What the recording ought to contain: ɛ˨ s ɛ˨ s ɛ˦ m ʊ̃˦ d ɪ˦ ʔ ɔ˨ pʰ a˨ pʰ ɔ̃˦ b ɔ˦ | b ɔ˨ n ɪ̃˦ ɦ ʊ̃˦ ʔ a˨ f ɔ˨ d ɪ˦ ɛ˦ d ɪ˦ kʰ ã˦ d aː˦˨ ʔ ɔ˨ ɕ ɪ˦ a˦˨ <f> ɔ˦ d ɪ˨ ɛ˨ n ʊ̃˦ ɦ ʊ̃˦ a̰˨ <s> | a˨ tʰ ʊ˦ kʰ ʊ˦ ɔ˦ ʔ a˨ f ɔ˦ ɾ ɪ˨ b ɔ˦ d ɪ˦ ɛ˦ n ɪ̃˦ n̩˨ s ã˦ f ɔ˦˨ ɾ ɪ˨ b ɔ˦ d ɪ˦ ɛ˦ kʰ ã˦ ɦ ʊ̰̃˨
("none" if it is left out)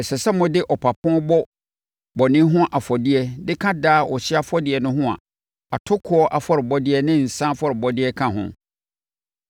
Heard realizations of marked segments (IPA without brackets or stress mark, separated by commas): f, none